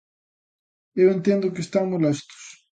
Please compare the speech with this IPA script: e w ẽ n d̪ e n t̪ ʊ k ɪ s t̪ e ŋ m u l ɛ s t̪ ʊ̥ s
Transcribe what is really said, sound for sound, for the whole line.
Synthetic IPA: e w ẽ n t̪ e n d̪ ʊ k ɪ s t̪ a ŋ m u l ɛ s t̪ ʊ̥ s